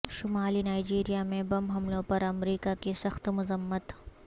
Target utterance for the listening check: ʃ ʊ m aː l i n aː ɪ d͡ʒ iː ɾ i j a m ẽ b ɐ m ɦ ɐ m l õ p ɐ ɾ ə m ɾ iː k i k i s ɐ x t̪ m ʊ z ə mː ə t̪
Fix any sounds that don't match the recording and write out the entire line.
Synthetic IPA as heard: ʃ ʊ m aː l i n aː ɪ d͡ʒ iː ɾ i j a m ẽ b ɐ m ɦ ɐ m l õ p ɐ ɾ ɐ m ɾ iː k a k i s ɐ x t̪ m ʊ z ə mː ə t̪